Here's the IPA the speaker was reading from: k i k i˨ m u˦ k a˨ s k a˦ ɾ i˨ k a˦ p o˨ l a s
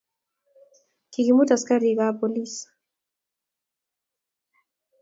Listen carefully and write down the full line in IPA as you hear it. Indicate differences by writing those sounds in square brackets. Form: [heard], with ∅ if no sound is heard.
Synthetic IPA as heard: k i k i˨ m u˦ [t] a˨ s k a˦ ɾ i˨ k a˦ p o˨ l [i] s